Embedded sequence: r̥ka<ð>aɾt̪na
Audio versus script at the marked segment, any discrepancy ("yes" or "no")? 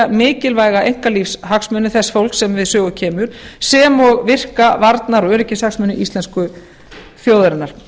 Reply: yes